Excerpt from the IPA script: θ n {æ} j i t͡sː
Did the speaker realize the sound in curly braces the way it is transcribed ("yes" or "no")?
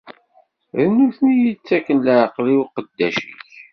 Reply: no